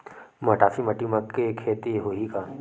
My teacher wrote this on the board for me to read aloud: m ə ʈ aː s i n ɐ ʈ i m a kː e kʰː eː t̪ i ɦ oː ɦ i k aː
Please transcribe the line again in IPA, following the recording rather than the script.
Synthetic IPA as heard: m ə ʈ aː f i m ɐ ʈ i m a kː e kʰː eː t̪ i ɦ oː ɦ i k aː